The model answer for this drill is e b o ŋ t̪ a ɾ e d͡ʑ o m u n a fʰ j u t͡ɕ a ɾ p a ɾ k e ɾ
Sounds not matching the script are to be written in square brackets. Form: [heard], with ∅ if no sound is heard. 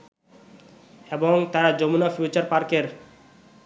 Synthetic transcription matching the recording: e b o ŋ t̪ a ɾ [a] d͡ʑ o m u n a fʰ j u t͡ɕ a ɾ p a ɾ k e ɾ